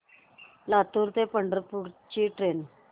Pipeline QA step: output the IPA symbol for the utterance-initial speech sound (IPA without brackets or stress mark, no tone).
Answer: l